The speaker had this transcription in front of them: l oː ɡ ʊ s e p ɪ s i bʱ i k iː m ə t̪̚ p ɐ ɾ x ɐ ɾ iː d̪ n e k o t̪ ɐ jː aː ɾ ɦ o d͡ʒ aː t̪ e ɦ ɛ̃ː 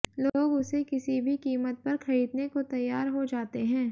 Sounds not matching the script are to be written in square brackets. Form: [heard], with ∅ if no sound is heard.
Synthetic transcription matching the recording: l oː ɡ ʊ s e [k] ɪ s i bʱ i k iː m ə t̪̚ p ɐ ɾ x ɐ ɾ iː d̪ n e k o t̪ ɐ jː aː ɾ ɦ o d͡ʒ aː t̪ e ɦ ɛ̃ː